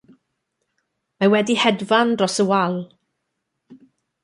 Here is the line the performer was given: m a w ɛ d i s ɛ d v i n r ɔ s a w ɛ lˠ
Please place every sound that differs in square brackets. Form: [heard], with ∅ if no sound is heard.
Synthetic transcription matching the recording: m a w ɛ d i [h] ɛ d v [a] n r ɔ s [ə] w [a] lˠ